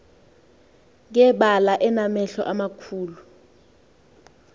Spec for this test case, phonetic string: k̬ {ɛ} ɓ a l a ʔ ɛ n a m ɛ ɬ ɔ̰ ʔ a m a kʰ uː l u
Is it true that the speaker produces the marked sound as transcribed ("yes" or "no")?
yes